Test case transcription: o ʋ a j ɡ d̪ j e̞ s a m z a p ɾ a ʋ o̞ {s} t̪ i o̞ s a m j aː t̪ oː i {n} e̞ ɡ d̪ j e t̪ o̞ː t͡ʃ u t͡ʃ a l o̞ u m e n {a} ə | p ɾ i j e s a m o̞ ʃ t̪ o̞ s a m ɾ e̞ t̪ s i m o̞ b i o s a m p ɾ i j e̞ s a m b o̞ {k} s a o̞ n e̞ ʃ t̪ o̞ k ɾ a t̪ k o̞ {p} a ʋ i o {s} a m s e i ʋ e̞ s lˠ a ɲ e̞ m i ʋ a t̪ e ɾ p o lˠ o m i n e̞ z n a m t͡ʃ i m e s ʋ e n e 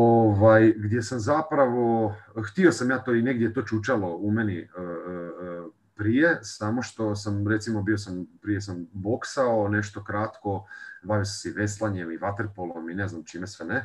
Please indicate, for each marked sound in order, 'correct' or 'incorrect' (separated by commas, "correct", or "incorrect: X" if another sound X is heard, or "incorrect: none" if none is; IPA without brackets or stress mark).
incorrect: x, correct, incorrect: i, correct, incorrect: b, correct